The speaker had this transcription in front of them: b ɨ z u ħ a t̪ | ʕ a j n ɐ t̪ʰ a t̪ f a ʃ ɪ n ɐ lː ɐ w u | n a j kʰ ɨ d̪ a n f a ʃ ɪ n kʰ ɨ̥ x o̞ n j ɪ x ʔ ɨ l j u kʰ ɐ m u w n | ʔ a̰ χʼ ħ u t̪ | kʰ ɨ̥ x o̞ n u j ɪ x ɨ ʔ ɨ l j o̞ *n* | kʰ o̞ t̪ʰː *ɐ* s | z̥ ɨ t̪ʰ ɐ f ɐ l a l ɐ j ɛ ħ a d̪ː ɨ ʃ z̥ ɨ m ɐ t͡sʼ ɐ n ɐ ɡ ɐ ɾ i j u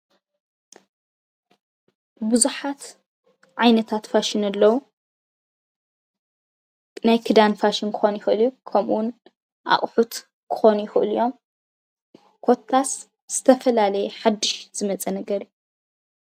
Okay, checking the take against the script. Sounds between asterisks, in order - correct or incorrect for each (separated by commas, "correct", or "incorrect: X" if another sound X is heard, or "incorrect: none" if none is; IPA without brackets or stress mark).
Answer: incorrect: m, incorrect: a